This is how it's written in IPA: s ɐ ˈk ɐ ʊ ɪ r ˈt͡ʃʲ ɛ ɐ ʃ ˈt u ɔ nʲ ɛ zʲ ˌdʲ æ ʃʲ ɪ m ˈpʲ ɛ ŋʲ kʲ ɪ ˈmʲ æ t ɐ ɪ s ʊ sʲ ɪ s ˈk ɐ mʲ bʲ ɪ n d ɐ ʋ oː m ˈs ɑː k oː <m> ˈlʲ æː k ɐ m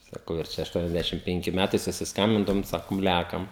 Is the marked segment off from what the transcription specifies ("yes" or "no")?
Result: no